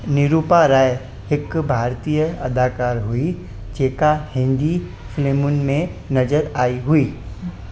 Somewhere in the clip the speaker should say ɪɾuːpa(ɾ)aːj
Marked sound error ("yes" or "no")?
no